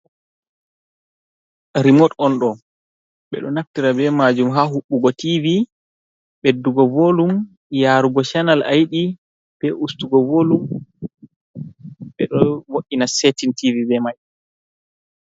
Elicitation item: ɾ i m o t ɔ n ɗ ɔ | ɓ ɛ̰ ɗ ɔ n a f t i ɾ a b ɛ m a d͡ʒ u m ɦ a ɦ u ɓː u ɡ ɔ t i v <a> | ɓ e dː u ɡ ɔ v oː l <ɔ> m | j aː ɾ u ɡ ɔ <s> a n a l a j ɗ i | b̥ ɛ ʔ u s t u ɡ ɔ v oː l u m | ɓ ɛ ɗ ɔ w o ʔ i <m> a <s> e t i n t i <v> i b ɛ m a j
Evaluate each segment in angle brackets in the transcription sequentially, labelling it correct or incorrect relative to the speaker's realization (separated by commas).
incorrect, incorrect, incorrect, incorrect, correct, correct